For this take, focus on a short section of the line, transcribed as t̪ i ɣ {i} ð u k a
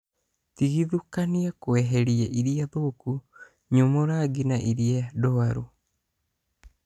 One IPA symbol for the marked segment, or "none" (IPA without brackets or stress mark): i